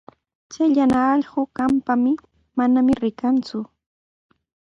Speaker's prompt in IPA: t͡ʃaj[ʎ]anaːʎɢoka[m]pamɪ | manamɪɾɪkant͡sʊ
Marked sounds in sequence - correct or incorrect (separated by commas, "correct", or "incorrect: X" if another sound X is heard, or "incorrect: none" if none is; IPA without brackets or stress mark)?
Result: correct, correct